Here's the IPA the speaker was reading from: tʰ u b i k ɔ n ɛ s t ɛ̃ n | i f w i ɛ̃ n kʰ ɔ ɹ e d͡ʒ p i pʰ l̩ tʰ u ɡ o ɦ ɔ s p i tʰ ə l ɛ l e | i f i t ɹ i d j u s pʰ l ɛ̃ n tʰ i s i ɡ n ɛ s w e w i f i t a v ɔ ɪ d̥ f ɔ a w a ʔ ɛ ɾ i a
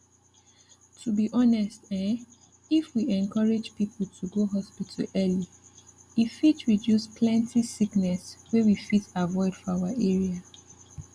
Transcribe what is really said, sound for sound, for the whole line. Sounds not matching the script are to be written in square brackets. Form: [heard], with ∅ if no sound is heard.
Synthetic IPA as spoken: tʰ u b i [ʔ] ɔ n ɛ s t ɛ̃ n | i f w i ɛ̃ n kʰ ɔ ɹ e d͡ʒ p i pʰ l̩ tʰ u ɡ o ɦ ɔ s p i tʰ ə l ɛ l [i] | i f i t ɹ i d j u s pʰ l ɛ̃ n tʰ i s i [k] n ɛ s w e w i f i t a v ɔ ɪ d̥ f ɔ a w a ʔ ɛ [ɹ] i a